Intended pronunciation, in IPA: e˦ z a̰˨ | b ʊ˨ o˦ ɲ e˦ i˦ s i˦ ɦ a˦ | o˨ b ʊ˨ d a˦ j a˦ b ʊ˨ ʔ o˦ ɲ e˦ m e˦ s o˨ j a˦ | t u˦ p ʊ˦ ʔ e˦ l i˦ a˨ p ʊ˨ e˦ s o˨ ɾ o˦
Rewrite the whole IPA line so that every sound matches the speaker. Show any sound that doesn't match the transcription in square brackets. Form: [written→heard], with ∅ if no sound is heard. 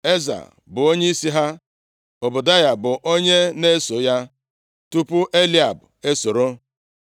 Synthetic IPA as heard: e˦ z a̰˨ | b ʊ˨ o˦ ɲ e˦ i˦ s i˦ ɦ a˦ | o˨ b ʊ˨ d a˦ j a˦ b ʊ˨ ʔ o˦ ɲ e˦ [m→n] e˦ s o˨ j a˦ | t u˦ p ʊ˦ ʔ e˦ l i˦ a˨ [p→b] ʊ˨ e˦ s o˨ ɾ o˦